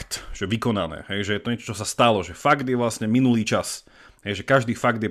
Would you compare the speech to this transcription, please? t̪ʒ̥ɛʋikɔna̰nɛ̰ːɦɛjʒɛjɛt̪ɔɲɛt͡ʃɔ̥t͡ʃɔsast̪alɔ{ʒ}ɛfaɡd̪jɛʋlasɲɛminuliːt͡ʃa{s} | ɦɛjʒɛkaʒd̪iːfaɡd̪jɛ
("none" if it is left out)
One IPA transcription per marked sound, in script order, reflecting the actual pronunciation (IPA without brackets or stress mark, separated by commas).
ʒ, s